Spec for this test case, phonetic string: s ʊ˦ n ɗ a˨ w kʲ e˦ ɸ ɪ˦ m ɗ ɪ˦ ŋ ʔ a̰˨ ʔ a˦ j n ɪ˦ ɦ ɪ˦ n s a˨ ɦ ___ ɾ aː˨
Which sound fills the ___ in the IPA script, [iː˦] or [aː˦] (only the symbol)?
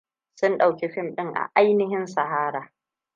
aː˦